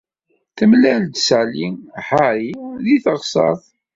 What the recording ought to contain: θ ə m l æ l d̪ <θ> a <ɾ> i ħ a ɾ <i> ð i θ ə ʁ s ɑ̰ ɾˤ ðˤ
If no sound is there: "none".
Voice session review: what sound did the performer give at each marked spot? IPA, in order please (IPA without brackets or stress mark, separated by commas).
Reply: s, l, i